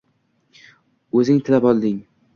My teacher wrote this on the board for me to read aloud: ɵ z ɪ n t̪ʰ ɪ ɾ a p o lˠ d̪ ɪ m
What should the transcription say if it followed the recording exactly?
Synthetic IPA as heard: ɵ z ɪ ŋ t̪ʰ ɪ l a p ɒ lˠ d̪ ɪ ŋ